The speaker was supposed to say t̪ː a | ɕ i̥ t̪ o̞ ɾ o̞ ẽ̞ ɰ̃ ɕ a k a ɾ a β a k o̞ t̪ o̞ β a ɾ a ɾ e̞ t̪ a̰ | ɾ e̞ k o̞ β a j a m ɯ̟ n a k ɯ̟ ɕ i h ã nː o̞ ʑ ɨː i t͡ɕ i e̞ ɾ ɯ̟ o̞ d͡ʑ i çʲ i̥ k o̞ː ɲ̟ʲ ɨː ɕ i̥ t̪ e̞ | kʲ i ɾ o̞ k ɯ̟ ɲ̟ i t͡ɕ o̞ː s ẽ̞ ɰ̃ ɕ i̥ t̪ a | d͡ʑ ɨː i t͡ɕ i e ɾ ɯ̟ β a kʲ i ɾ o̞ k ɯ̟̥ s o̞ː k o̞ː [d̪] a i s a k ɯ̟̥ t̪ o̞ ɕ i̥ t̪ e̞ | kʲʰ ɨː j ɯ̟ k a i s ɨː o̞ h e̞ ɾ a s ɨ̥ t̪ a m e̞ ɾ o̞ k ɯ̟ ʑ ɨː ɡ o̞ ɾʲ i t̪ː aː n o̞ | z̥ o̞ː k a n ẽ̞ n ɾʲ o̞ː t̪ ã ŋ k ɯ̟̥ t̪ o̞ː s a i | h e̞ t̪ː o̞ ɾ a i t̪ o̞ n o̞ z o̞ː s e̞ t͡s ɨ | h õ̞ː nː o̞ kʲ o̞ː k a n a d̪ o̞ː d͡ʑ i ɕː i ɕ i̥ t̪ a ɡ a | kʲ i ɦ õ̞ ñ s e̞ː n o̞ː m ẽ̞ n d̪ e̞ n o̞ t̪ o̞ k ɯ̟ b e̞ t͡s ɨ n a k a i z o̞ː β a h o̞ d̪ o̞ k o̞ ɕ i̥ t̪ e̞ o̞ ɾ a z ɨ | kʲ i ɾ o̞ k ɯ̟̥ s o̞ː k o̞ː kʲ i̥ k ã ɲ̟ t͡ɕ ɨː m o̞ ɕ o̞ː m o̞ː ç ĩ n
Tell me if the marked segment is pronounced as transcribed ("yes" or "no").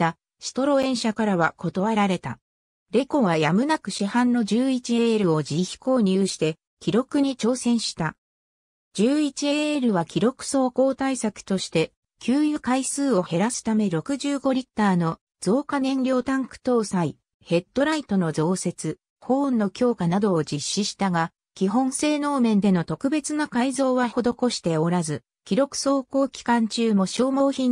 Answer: no